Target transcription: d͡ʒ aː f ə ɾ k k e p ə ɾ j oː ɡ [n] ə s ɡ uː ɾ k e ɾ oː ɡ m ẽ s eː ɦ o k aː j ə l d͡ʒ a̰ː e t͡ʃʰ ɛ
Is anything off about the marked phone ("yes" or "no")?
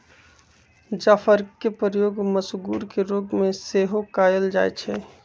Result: yes